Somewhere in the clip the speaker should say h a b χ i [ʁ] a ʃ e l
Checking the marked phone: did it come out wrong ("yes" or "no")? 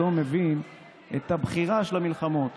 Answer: no